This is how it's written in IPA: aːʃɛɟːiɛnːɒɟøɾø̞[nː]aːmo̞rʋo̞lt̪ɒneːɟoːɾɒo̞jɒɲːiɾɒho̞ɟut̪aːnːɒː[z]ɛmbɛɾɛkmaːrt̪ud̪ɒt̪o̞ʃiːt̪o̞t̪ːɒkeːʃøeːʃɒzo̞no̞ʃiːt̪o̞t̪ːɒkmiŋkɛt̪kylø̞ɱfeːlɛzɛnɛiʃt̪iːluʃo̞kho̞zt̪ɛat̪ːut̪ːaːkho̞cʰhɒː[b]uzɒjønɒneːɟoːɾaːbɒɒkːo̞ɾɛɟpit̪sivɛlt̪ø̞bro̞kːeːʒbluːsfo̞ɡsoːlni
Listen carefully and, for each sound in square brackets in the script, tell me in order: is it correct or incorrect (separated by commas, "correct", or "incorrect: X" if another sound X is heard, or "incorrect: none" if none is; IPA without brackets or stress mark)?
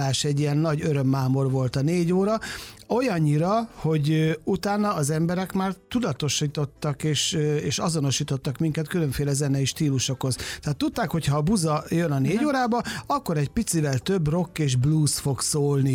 incorrect: mː, correct, correct